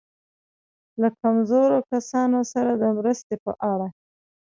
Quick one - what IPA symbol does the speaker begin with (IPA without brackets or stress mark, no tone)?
l